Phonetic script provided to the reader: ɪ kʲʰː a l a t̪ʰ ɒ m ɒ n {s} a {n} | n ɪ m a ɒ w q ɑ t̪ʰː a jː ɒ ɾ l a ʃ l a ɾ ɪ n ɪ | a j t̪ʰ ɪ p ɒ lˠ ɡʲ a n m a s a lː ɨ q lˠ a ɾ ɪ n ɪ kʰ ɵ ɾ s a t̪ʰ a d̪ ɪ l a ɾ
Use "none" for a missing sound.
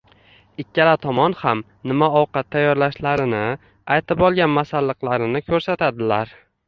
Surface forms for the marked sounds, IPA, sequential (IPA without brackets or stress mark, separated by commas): h, m